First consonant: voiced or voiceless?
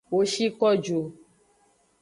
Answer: voiced